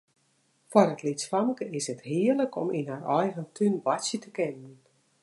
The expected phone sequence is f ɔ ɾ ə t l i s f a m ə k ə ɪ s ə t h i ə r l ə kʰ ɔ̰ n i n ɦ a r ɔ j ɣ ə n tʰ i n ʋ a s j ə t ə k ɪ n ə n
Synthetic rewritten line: f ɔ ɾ ə t l i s f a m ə k ə ɪ s ə t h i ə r l ə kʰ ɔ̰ m i n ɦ a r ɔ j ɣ ə n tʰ y n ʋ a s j ə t ə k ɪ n ə n